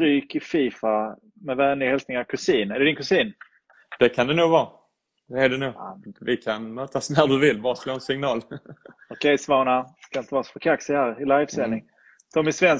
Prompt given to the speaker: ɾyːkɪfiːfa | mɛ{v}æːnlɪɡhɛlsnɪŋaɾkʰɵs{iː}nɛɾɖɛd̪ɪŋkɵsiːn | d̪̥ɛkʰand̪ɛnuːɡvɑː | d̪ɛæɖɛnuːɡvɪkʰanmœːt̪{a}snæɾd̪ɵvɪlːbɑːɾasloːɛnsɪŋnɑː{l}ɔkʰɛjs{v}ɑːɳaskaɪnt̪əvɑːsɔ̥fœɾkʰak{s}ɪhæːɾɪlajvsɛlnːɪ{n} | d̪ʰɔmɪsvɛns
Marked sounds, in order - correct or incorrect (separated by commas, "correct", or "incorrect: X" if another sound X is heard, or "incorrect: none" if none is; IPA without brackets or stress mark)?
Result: correct, correct, correct, correct, correct, correct, incorrect: ŋ